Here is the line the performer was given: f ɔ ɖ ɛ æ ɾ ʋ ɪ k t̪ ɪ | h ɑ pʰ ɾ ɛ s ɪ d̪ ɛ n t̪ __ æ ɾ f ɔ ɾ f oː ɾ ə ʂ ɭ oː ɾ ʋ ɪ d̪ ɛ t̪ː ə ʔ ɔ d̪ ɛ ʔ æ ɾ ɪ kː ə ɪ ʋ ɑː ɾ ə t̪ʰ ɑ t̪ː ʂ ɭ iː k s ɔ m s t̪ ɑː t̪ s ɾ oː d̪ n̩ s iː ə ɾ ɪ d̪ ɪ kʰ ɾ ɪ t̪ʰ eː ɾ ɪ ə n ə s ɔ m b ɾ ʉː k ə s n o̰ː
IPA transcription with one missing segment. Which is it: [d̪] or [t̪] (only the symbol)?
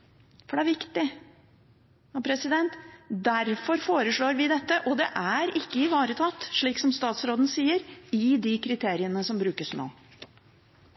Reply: d̪